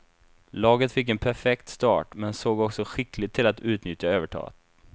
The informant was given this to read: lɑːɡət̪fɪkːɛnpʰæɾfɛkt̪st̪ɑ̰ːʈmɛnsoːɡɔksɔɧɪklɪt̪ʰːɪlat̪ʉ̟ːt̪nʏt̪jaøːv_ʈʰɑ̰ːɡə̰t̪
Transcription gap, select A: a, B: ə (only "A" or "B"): B